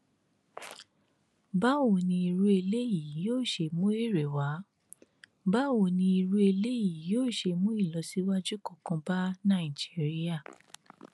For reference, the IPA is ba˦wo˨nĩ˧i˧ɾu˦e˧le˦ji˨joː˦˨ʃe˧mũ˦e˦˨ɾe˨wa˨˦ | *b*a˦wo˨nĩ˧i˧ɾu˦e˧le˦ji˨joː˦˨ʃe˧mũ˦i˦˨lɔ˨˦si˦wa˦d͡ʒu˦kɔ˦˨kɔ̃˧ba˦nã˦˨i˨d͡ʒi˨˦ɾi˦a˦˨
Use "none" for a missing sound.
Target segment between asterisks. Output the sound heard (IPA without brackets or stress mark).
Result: b